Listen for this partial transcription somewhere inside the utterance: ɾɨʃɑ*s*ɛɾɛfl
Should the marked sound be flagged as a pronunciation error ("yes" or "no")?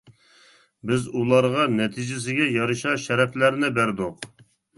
yes